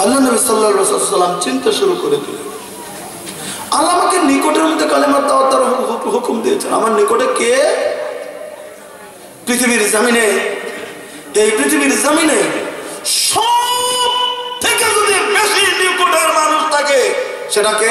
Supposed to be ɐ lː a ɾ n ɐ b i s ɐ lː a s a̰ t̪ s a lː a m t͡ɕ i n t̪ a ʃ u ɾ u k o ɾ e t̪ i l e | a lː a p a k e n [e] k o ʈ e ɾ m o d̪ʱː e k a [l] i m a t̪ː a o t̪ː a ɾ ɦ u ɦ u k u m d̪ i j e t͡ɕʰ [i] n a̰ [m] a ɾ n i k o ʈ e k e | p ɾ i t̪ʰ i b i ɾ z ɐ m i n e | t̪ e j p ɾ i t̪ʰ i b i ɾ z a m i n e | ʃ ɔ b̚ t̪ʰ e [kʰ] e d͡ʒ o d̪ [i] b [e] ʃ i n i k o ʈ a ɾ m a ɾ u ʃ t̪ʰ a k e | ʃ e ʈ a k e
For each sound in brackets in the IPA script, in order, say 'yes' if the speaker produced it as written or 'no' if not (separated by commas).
no, yes, no, yes, no, yes, yes